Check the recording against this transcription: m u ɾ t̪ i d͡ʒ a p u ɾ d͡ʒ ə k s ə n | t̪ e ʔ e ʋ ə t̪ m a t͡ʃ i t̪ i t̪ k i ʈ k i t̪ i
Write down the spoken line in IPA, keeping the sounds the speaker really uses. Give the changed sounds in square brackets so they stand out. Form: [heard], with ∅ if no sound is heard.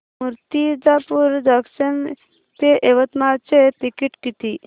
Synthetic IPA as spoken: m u ɾ t̪ i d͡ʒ a p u ɾ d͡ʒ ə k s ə n | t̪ e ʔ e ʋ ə t̪ m a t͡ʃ [e] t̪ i [∅] k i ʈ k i t̪ i